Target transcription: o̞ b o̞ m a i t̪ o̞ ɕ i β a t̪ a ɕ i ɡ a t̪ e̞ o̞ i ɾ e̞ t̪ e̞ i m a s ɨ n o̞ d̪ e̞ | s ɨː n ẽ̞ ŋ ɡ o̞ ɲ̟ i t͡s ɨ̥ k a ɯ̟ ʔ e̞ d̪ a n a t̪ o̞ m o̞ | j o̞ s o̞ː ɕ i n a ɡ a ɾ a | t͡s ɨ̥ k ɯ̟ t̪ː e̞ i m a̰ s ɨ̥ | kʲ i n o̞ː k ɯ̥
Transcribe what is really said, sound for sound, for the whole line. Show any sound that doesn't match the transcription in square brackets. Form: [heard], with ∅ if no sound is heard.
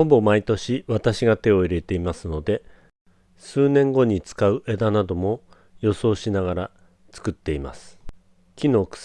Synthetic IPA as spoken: o̞ b o̞ m a i t̪ o̞ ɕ i β a t̪ a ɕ i ɡ a t̪ e̞ o̞ i ɾ e̞ t̪ e̞ i m a s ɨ n o̞ d̪ e̞ | s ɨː n ẽ̞ ŋ ɡ o̞ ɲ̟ i t͡s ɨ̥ k a ɯ̟ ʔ e̞ d̪ a n a [d̪] o̞ m o̞ | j o̞ s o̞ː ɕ i n a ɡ a ɾ a | t͡s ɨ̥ k ɯ̟ t̪ː e̞ i m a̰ s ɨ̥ | kʲ i n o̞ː k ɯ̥